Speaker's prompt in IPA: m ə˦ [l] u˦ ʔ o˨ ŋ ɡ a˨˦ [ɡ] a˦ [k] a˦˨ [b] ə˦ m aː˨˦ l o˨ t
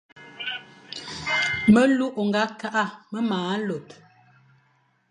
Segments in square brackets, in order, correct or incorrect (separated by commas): correct, incorrect, incorrect, incorrect